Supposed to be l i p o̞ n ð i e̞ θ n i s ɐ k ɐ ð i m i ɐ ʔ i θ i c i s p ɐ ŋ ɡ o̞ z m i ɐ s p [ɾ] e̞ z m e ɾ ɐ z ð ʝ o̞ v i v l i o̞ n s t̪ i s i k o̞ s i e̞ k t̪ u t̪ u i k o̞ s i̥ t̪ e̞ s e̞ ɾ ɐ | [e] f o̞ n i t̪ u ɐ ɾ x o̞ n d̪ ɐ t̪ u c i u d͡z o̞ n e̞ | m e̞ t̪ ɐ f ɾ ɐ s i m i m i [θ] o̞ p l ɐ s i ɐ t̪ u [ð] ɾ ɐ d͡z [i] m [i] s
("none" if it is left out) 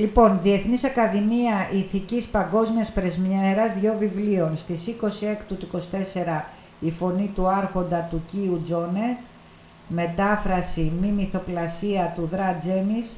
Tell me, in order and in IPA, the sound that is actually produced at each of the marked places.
ɾ, i, θ, ð, e, i

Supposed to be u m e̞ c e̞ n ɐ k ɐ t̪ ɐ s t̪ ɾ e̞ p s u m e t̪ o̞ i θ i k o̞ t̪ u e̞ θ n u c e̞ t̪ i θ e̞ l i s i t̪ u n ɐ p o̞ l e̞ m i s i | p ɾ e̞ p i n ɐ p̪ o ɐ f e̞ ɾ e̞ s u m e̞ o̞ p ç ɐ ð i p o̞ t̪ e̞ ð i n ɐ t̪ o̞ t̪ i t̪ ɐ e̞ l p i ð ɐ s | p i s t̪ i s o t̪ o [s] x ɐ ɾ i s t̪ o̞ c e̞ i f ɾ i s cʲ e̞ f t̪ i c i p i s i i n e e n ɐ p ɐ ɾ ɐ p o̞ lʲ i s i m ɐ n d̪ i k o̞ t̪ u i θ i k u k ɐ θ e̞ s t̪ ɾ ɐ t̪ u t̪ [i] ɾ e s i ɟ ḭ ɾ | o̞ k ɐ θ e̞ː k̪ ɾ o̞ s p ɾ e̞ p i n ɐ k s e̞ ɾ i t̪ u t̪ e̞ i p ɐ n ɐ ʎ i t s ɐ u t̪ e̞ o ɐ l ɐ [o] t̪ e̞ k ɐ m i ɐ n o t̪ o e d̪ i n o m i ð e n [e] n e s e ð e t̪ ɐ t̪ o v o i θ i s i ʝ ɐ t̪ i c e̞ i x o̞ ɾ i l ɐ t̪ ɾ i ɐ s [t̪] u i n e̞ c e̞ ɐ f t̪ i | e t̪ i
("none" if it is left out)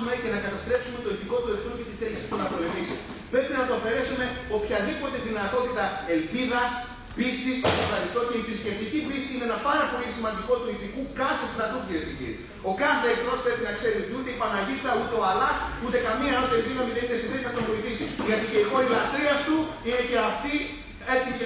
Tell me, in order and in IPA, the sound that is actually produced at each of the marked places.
f, i, u, i, t̪

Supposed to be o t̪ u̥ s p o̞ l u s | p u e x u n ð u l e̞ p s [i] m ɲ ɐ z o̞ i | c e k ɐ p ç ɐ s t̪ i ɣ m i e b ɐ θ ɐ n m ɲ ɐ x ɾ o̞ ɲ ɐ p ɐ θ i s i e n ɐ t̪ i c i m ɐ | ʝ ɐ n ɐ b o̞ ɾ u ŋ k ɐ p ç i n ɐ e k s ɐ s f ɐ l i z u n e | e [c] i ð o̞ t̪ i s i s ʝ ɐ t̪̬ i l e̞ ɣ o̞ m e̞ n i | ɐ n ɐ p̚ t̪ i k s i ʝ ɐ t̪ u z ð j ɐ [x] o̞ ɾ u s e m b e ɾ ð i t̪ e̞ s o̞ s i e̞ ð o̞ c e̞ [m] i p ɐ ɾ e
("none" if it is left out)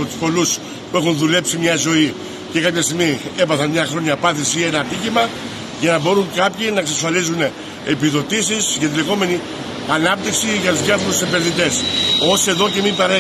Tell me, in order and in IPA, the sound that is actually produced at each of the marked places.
i, p, f, m

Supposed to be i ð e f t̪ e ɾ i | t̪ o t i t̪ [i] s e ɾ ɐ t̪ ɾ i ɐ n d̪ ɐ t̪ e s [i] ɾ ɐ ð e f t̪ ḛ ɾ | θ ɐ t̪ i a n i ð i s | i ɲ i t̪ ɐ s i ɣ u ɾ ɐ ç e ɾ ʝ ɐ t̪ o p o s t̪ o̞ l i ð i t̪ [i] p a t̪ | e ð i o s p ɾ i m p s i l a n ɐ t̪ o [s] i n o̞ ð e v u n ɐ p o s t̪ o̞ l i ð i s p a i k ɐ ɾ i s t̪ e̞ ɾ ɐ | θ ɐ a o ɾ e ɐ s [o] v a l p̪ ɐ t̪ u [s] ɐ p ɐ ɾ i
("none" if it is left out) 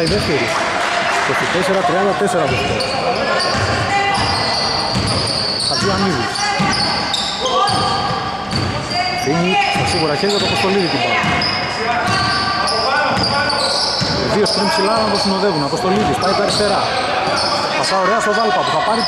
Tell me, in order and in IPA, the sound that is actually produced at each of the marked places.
e, e, i, s, o, θ

